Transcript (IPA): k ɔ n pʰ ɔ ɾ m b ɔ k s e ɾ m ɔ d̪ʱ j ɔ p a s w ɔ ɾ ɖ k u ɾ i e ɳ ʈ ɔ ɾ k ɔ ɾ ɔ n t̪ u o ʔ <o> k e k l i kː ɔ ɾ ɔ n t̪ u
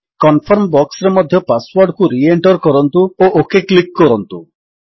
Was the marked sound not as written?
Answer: no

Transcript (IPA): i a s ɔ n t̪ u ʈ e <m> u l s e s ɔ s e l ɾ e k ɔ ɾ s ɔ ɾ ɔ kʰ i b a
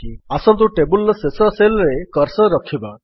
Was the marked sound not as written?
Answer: yes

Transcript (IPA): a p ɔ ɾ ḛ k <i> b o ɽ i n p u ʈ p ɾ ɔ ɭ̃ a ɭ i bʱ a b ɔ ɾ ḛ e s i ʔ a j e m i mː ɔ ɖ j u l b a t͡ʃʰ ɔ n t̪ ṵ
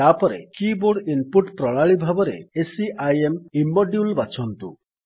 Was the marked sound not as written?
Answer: no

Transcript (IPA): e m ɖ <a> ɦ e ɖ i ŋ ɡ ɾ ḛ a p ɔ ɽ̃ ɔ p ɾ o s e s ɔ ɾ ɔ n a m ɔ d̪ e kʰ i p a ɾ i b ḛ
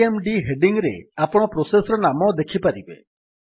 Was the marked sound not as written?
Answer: yes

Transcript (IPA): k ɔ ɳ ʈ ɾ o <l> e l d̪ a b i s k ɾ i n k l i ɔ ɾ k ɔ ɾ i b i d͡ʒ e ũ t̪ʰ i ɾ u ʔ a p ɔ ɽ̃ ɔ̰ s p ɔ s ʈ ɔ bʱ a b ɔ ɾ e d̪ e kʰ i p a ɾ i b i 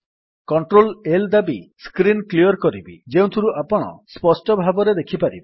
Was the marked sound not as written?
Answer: no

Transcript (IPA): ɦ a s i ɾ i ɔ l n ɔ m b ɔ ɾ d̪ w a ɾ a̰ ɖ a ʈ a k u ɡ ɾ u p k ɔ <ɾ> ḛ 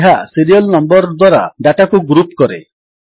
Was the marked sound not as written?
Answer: no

